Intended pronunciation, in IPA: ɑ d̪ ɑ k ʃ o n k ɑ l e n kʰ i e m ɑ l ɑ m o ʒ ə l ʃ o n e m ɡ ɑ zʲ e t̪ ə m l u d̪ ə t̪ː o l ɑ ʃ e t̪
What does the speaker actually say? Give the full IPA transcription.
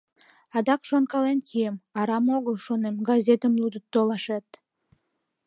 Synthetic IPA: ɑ d̪ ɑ k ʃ o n k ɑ l e n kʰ i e m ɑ ɾ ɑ m o ɣ ə l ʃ o n e m ɡ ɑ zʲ e t̪ ə m l u d̪ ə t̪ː o l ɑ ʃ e t̪